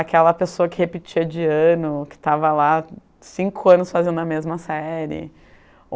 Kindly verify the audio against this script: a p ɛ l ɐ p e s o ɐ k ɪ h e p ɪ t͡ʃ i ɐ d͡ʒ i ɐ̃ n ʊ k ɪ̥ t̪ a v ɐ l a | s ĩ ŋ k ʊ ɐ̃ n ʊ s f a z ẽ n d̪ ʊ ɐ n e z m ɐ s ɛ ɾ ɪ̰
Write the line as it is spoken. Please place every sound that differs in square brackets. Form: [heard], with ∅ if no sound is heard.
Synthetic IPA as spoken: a [k] ɛ l ɐ p e s o ɐ k ɪ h e p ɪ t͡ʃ i ɐ d͡ʒ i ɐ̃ n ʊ k ɪ̥ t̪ a v ɐ l a | s ĩ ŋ k ʊ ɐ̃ n ʊ s f a z ẽ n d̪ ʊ ɐ [m] e z m ɐ s ɛ ɾ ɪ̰